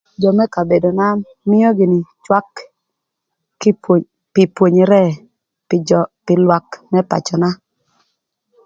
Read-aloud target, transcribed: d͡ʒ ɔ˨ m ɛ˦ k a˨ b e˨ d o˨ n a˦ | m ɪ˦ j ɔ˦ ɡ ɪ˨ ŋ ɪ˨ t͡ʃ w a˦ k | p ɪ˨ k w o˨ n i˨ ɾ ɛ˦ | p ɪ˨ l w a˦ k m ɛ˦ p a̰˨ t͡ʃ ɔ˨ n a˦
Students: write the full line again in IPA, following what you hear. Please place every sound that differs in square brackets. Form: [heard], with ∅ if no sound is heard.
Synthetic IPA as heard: d͡ʒ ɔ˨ m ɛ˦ k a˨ b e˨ d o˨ n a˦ | m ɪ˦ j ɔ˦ ɡ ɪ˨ [n] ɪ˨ t͡ʃ w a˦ k | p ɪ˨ [p] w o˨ [ɲ] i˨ ɾ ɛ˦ | p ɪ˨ l w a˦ k m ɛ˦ p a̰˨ t͡ʃ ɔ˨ n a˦